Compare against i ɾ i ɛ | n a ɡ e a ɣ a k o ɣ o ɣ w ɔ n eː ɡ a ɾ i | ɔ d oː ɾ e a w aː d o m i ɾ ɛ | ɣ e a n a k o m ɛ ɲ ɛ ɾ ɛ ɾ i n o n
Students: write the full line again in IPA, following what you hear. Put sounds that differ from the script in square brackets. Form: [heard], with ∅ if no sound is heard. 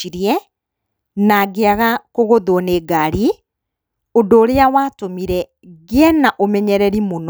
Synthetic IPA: i ɾ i ɛ | n a ɡ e a ɣ a k o ɣ o [ð] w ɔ n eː ɡ a ɾ i | [o] d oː ɾ e a w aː [t] o m i ɾ ɛ | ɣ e [ɛ] n a [ʔ] o m ɛ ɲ ɛ ɾ ɛ ɾ i [m] o n